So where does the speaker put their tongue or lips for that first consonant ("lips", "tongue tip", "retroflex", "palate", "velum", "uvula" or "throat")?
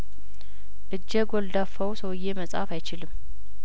throat